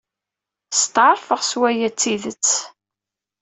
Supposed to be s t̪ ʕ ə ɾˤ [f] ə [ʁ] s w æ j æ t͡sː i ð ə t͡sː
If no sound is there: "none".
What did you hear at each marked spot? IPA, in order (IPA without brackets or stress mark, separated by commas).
f, ʁ